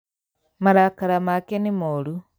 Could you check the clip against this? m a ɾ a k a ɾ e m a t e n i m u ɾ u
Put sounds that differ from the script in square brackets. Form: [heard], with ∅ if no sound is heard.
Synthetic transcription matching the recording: m a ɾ a k a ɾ [a] m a [k] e n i m [o] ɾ u